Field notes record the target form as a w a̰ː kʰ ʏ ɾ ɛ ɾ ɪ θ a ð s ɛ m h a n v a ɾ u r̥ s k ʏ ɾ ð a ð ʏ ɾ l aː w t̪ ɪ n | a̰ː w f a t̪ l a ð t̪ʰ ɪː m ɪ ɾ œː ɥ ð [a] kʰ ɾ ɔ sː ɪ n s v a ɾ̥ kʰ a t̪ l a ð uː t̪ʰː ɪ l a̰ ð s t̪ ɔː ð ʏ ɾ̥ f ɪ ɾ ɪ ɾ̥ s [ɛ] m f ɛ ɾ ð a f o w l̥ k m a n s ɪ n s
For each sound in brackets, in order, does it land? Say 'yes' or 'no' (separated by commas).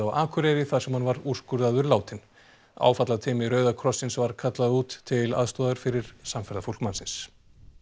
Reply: yes, no